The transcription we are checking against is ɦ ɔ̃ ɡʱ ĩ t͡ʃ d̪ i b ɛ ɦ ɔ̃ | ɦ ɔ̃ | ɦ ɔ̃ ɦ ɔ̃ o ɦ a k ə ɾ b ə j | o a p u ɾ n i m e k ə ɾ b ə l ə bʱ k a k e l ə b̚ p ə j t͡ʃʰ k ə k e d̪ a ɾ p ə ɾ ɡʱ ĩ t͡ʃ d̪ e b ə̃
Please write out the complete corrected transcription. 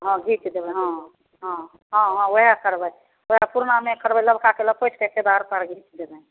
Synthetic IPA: ɦ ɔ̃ ɡʱ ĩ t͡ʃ d̪ e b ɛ ɦ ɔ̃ | ɦ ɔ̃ | ɦ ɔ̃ ɦ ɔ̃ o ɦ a k ə ɾ b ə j | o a p u ɾ n a m e k ə ɾ b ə l ə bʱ k a k e l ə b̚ p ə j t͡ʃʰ k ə k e d̪ a ɾ p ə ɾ ɡʱ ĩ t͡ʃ d̪ e b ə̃